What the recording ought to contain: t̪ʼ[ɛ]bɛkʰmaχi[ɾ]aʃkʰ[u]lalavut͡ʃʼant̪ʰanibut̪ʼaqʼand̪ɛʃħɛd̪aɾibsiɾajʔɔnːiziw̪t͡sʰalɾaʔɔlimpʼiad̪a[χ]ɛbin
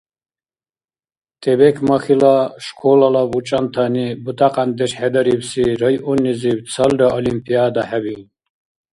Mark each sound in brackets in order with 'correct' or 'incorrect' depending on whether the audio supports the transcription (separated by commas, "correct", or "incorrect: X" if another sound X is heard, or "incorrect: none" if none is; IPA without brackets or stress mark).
correct, incorrect: l, incorrect: ɔ, incorrect: ħ